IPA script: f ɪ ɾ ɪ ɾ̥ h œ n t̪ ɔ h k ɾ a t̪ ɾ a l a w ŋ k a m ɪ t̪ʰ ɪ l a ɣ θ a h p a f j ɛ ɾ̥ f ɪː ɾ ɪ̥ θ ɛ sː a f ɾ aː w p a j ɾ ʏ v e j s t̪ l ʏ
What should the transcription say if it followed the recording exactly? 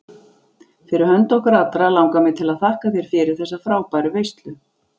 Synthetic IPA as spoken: f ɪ ɾ ɪ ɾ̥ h œ n t̪ ɔ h k ɾ a t̪ ɾ a l a w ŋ k a m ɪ t̪ʰ ɪ l a ð θ a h k a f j ɛ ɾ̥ f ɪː ɾ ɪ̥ θ ɛ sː a f ɾ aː w p a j ɾ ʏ v e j s t̪ l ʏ